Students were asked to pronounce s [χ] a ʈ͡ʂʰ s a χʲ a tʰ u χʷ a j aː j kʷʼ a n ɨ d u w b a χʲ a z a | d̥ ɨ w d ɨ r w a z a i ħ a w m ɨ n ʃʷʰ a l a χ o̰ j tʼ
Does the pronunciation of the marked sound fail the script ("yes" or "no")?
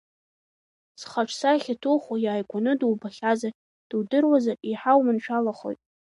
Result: no